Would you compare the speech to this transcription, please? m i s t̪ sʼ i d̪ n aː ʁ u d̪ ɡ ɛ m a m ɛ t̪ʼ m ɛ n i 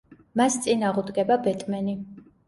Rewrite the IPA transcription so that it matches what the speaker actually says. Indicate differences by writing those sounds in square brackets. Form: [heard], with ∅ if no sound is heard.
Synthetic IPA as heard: m [a] s t̪ sʼ i [∅] n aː ʁ u d̪ ɡ ɛ [b] a [b] ɛ t̪ʼ m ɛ n i

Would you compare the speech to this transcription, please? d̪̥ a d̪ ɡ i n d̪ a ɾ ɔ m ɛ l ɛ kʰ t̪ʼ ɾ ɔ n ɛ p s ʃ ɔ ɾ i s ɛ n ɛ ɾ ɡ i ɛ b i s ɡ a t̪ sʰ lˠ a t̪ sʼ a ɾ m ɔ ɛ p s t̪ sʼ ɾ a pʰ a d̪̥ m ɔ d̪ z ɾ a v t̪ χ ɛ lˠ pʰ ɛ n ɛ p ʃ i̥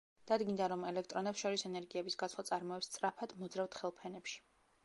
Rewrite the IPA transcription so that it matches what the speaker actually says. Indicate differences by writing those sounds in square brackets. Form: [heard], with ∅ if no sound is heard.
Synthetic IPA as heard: d̪̥ a d̪ ɡ i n d̪ a ɾ ɔ m ɛ l ɛ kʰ t̪ʼ ɾ ɔ n ɛ p s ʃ ɔ ɾ i s ɛ n ɛ ɾ ɡ i ɛ b i s ɡ a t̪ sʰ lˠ a t̪ sʼ a ɾ m ɔ ɛ p s t̪ sʼ ɾ a pʰ a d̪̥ m ɔ d̪ z ɾ a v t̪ χ ɛ lˠ pʰ ɛ n ɛ p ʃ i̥

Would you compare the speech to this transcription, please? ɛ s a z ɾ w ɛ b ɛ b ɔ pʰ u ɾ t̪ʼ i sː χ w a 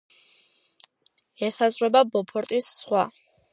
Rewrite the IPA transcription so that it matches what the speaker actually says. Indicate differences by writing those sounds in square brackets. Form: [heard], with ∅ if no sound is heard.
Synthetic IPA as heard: ɛ s a z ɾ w ɛ b [a] b ɔ pʰ [ɔ] ɾ t̪ʼ i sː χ w a

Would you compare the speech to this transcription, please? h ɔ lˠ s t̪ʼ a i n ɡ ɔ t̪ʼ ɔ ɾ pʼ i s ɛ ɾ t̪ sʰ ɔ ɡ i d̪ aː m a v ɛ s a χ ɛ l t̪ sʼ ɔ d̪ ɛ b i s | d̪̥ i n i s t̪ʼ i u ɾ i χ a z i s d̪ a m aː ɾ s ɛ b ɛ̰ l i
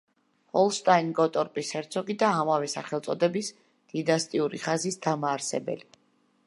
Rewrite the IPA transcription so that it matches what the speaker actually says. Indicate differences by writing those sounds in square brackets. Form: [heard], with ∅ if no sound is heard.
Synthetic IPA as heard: h ɔ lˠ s t̪ʼ a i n ɡ ɔ t̪ʼ ɔ ɾ pʼ i s ɛ ɾ t̪ sʰ ɔ ɡ i d̪ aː m a v ɛ s a χ ɛ l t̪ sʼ ɔ d̪ ɛ b i s | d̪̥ i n [a] s t̪ʼ i u ɾ i χ a z i s d̪ a m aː ɾ s ɛ b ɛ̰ l i

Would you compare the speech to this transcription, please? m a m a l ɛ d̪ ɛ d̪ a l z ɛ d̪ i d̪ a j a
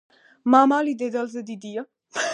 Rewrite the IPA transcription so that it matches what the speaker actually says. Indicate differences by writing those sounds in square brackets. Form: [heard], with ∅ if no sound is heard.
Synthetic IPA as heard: m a m a l [i] d̪ ɛ d̪ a l z ɛ d̪ i d̪ [i] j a

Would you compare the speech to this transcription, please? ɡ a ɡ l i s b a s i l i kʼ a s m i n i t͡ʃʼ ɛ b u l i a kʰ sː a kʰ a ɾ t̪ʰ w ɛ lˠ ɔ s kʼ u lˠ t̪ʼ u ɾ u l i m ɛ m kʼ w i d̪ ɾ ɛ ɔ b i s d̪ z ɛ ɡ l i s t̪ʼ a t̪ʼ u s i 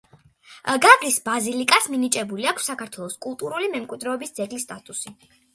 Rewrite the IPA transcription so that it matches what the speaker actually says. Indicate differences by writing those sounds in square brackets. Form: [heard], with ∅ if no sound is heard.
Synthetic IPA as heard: ɡ a ɡ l i s b a [z] i l i kʼ a s m i n i t͡ʃʼ ɛ b u l i a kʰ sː a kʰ a ɾ t̪ʰ w ɛ lˠ ɔ s kʼ u lˠ t̪ʼ u ɾ u l i m ɛ m kʼ w i d̪ ɾ ɛ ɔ b i s d̪ z ɛ ɡ l i s t̪ʼ a t̪ʼ u s i

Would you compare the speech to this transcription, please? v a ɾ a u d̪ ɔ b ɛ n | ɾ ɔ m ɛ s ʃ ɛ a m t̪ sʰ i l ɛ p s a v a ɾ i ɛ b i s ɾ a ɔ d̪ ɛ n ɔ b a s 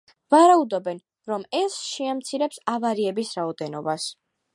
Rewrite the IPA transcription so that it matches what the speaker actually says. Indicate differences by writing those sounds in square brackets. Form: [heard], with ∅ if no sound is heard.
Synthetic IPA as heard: v a ɾ a u d̪ ɔ b ɛ n | ɾ ɔ m ɛ s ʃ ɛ a m t̪ sʰ i [ɾ] ɛ p s a v a ɾ i ɛ b i s ɾ a ɔ d̪ ɛ n ɔ b a s

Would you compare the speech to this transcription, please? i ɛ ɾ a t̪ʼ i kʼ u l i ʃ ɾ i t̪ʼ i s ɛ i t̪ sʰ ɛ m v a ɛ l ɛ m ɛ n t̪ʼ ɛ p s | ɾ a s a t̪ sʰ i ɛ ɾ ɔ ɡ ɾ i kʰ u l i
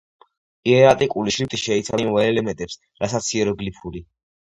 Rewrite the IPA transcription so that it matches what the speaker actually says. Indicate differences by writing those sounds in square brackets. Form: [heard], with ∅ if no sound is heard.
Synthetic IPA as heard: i ɛ ɾ a t̪ʼ i kʼ u l i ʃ ɾ i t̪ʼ i [ʃ] ɛ i t̪ sʰ [a] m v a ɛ l ɛ m ɛ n t̪ʼ ɛ p s | ɾ a s a t̪ sʰ i ɛ ɾ ɔ ɡ [l] i [pʰ] u l i

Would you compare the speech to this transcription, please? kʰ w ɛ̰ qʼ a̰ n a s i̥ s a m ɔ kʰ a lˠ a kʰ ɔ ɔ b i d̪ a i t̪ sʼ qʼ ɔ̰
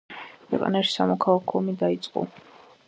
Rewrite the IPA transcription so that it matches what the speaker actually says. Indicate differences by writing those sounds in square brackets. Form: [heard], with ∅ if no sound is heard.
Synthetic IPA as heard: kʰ w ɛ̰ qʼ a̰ n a [ʃ] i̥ s a m ɔ kʰ a lˠ a kʰ ɔ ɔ [m] i d̪ a i t̪ sʼ qʼ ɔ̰

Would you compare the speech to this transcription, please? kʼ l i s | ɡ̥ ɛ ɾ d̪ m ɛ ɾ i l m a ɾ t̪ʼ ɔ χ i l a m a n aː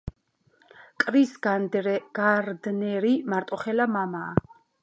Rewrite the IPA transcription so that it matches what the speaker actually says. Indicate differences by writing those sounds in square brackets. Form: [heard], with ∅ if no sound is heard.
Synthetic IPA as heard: kʼ [ɾ] i s | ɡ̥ [a] ɾ d̪ [n] ɛ ɾ i [∅] m a ɾ t̪ʼ ɔ χ [ɛ] l a m a [m] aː

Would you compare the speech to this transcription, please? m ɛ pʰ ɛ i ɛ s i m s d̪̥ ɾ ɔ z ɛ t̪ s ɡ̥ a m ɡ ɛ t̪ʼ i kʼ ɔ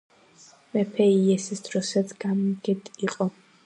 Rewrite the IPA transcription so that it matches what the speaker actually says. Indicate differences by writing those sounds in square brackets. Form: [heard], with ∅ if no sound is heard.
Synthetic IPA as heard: m ɛ pʰ ɛ i ɛ s i [∅] s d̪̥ ɾ ɔ [s] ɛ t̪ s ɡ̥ a m ɡ ɛ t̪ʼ i [qʼ] ɔ

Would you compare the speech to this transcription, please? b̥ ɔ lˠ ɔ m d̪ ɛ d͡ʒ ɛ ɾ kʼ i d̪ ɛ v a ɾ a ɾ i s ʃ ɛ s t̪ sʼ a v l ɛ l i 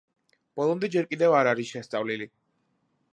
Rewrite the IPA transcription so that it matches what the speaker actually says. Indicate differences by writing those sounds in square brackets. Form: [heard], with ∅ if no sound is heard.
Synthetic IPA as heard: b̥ ɔ lˠ ɔ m d̪ ɛ d͡ʒ ɛ ɾ kʼ i d̪ ɛ v a ɾ a ɾ i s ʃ ɛ s t̪ sʼ a v l [i] l i

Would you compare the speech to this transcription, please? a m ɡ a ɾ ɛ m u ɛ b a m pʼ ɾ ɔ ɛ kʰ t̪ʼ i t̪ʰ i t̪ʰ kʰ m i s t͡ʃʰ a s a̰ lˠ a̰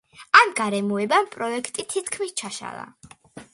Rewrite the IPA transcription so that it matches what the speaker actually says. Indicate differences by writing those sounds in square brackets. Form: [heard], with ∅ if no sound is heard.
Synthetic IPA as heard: a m ɡ a ɾ ɛ m u ɛ b a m pʼ ɾ ɔ ɛ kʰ t̪ʼ i t̪ʰ i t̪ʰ kʰ m i s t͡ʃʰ a [ʃ] a̰ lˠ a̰

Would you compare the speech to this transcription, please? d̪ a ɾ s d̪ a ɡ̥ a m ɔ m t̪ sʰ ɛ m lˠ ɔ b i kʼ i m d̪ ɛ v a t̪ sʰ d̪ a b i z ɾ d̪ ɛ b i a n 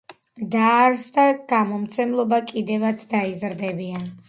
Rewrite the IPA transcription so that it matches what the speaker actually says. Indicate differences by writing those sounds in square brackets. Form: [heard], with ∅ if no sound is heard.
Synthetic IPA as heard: d̪ a ɾ s d̪ a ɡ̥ a m ɔ m t̪ sʰ ɛ m lˠ ɔ b [a] kʼ i [∅] d̪ ɛ v a t̪ sʰ d̪ a [∅] i z ɾ d̪ ɛ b i a n

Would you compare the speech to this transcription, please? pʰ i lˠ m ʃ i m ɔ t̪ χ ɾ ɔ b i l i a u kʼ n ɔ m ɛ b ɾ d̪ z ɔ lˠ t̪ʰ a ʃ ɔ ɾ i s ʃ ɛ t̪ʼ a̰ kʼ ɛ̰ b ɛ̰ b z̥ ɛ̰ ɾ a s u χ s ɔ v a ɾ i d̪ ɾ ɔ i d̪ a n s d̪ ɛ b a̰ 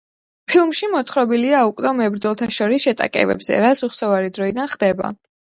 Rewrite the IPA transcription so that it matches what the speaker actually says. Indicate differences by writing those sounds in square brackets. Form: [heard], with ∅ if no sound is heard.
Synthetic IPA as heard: pʰ i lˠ m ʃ i m ɔ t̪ χ ɾ ɔ b i l i a u kʼ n ɔ m ɛ b ɾ d̪ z ɔ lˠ t̪ʰ a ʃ ɔ ɾ i s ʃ ɛ t̪ʼ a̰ kʼ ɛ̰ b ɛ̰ b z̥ ɛ̰ ɾ a s u χ s ɔ v a ɾ i d̪ ɾ ɔ i d̪ a n [χ] d̪ ɛ b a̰

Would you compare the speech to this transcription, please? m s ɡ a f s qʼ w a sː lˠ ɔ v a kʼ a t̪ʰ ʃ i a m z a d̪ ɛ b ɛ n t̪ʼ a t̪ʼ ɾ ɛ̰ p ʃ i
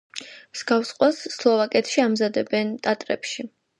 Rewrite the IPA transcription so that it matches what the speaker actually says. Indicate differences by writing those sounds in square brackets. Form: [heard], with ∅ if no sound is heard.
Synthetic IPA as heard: m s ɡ a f s qʼ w a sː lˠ ɔ v a kʼ [ɛ] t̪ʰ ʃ i a m z a d̪ ɛ b ɛ n t̪ʼ a t̪ʼ ɾ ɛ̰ p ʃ i

